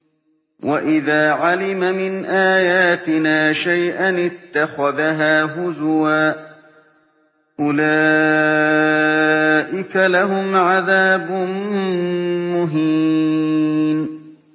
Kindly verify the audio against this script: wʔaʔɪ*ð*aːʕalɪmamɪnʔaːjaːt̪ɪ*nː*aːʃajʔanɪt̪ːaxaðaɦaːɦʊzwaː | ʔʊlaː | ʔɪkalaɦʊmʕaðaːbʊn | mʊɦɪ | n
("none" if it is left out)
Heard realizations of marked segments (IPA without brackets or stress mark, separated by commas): ð, n